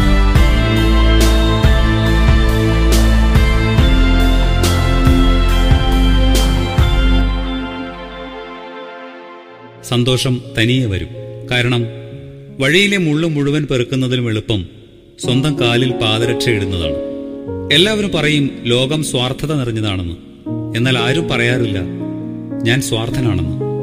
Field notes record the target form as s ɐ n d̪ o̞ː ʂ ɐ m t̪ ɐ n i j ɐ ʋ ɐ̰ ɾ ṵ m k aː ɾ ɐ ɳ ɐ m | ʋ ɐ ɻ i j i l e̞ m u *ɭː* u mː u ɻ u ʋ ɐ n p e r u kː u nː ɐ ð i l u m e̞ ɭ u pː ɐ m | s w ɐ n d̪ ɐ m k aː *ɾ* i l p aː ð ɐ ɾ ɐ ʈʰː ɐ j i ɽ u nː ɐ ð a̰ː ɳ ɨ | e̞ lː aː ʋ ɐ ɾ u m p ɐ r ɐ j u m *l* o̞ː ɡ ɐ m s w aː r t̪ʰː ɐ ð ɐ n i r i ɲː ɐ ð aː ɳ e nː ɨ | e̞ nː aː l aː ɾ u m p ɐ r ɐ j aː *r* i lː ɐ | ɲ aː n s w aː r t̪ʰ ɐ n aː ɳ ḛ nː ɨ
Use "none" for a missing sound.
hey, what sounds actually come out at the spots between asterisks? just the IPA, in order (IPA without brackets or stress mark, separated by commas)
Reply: ɭː, l, l, r